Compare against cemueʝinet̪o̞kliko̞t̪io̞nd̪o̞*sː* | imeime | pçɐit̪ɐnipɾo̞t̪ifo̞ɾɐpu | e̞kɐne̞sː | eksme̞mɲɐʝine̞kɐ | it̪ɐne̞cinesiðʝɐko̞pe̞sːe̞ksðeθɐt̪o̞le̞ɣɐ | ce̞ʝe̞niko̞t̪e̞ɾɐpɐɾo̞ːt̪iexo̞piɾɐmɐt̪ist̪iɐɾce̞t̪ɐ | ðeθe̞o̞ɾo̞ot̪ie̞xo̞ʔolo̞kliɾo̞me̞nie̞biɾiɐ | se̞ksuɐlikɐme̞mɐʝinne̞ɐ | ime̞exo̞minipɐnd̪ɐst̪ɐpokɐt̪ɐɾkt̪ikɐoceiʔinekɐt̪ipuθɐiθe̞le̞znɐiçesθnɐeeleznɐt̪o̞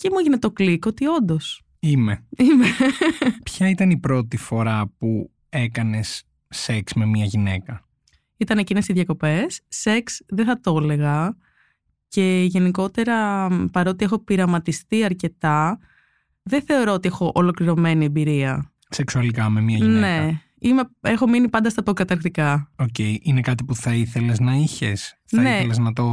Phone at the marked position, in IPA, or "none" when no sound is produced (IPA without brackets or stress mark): s